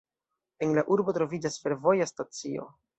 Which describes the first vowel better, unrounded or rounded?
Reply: unrounded